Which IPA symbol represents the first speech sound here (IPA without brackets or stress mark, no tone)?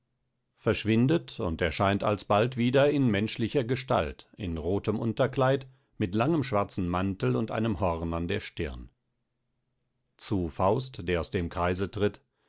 f